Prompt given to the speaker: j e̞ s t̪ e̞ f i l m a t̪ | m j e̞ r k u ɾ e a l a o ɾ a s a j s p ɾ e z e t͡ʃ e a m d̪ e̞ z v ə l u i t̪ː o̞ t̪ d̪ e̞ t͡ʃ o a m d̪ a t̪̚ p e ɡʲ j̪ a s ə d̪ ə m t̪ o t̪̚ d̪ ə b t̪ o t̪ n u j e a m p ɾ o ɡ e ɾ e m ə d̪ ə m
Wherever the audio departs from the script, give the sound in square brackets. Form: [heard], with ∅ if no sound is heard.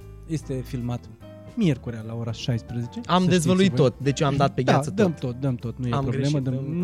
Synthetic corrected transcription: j e̞ s t̪ e̞ f i l m a t̪ | m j e̞ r k u ɾ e a l a o ɾ a [ʃ] a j s p ɾ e z e t͡ʃ e a m d̪ e̞ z v ə l u i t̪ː o̞ t̪ d̪ e̞ t͡ʃ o a m d̪ a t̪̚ p e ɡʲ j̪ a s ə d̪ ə m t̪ o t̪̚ d̪ ə [m] t̪ o t̪ n u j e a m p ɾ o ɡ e [l] e m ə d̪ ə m